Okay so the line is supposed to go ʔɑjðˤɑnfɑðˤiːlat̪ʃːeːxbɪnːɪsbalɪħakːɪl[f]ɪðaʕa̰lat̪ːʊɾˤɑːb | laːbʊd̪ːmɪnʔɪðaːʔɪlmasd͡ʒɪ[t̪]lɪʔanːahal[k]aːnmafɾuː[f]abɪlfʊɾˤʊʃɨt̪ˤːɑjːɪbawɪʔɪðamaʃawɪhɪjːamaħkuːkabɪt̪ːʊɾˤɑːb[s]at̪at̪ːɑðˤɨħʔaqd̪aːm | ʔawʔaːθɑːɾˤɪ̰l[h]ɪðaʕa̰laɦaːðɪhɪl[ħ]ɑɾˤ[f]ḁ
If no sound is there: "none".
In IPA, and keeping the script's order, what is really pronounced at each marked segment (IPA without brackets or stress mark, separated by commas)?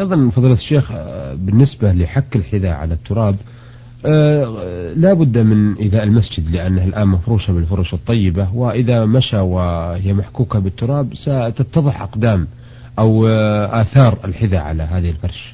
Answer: ħ, d̪, ʔ, ʃ, s, ħ, f, ʃ